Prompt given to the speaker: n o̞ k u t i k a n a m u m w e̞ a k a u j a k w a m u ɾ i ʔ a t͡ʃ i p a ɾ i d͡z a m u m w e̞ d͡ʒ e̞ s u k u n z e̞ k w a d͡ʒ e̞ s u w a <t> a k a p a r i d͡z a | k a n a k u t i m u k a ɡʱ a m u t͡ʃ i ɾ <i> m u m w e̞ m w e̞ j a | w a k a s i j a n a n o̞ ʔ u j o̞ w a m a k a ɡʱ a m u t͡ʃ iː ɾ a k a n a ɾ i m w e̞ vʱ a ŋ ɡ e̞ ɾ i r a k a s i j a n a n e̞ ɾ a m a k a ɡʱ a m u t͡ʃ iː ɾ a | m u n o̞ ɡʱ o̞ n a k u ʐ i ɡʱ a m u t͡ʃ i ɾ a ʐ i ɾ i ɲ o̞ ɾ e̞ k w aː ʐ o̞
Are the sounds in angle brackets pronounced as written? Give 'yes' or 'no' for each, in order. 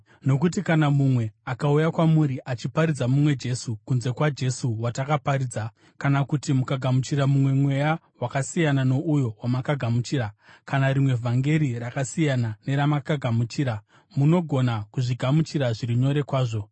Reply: yes, no

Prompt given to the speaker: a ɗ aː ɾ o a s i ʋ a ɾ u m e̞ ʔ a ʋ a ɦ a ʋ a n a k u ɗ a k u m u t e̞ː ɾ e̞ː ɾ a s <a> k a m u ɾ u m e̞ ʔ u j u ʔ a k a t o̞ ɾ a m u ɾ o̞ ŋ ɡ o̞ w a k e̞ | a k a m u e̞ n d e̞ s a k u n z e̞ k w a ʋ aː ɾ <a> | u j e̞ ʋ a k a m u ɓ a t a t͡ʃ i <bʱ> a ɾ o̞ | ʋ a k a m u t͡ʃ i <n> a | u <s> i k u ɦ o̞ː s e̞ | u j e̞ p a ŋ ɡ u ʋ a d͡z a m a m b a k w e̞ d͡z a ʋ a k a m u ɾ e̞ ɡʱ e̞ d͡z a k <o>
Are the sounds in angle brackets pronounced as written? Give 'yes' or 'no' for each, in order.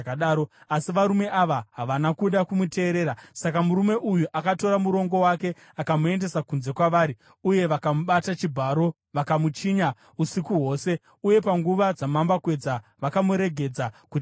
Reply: yes, no, yes, no, yes, no

